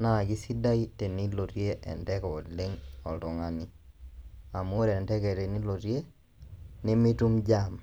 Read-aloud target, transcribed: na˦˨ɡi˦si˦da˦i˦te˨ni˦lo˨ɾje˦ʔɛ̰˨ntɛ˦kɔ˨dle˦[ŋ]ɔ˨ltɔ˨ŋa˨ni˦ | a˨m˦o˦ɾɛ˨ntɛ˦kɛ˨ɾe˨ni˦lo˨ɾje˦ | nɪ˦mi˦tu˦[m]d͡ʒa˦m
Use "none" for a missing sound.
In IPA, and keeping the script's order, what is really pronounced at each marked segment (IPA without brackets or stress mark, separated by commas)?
ŋ, m